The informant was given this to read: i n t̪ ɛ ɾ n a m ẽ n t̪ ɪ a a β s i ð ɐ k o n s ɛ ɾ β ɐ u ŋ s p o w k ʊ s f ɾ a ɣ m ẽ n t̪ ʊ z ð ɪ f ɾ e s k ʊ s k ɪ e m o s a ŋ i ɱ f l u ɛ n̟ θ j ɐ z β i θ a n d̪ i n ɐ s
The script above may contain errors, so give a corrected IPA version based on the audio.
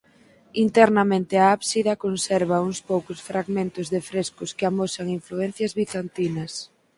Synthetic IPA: i n t̪ ɛ ɾ n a m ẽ n t̪ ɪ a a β s i ð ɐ k o n s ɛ ɾ β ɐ u ŋ s p o w k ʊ s f ɾ a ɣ m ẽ n t̪ ʊ z ð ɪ f ɾ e s k ʊ s k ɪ a m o s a ŋ i ɱ f l u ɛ n̟ θ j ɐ z β i θ a n t̪ i n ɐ s